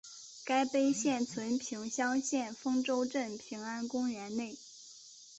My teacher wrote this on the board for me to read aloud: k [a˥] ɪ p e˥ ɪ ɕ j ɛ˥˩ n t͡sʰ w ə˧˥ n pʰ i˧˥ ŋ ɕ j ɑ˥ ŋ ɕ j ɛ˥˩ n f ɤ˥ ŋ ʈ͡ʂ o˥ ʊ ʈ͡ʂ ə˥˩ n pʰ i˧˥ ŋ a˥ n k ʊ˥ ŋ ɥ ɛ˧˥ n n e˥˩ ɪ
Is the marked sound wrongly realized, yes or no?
no